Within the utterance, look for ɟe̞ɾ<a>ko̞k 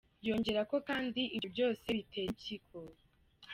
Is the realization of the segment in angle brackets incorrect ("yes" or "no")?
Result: no